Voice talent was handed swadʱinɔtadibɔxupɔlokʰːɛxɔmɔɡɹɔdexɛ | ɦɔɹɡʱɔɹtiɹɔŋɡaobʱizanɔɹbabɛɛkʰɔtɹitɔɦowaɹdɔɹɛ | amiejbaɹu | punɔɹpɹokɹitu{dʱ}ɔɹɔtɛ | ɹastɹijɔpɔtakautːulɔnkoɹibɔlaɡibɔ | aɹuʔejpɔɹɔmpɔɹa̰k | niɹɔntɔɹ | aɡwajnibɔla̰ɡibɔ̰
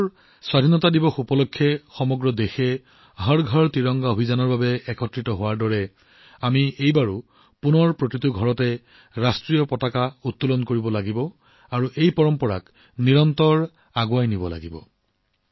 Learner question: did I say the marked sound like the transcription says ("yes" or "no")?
no